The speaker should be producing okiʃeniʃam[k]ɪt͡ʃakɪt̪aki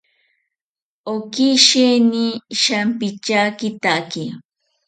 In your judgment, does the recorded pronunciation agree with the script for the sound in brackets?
no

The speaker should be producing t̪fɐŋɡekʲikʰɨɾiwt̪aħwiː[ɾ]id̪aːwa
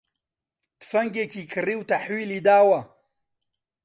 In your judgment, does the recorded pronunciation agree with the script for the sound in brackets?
no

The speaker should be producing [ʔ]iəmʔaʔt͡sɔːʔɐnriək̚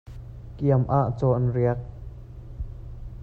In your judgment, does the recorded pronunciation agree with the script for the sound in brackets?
no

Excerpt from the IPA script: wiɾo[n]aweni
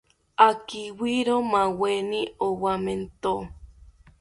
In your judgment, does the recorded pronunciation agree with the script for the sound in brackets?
no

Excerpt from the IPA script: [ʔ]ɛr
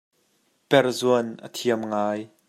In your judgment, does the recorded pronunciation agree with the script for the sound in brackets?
no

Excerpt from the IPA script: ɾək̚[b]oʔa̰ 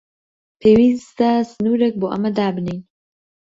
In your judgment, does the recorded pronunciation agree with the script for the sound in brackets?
yes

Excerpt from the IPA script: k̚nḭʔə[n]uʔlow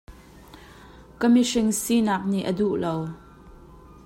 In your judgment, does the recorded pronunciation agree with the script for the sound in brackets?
no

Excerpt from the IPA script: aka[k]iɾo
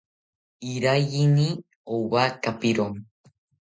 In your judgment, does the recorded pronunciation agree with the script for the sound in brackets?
no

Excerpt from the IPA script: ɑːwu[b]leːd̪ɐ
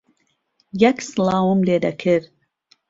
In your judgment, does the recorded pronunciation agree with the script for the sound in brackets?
no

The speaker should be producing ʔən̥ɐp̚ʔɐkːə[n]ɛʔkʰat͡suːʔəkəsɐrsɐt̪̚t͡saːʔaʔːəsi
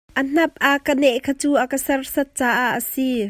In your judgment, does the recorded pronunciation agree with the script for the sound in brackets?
yes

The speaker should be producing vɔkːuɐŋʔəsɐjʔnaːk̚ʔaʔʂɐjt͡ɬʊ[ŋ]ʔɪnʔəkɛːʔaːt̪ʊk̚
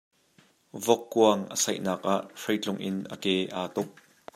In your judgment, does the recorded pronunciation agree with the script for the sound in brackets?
yes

